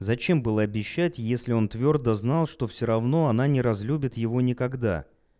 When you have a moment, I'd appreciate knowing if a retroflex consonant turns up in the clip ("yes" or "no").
yes